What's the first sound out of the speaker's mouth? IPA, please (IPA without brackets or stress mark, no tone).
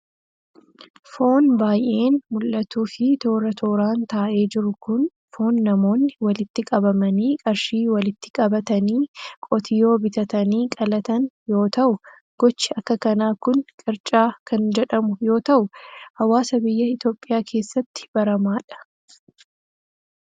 f